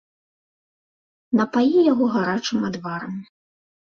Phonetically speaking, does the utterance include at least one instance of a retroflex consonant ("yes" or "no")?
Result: yes